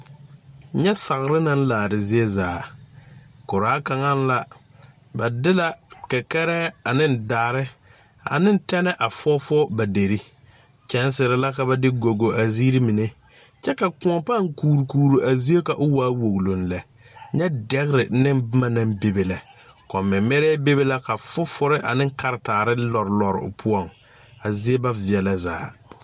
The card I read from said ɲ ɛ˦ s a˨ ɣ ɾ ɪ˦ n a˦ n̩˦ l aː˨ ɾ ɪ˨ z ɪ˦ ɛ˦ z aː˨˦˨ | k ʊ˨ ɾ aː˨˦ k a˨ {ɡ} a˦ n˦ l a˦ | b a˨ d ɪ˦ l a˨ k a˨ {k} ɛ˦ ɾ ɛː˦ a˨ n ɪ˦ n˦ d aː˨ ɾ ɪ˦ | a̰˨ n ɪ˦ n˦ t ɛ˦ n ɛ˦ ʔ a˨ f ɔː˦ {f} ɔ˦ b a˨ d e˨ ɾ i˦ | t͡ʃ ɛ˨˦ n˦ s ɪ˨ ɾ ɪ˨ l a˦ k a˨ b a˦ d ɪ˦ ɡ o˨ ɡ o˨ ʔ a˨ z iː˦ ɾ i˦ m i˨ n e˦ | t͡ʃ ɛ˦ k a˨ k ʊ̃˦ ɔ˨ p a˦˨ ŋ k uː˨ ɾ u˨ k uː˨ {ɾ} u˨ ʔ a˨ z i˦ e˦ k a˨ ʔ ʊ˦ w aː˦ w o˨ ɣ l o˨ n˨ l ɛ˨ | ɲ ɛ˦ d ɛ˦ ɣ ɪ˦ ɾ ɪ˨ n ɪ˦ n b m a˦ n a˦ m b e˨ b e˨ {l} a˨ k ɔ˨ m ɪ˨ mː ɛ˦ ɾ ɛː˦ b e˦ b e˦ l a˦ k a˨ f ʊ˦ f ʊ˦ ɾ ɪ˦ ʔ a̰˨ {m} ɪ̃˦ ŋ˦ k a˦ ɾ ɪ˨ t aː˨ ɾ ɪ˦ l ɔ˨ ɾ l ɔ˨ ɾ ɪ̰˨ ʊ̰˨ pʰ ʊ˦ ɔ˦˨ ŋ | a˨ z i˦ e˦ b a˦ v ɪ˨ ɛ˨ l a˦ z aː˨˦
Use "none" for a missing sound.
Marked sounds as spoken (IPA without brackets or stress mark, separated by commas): ŋ, k, f, ɾ, l, n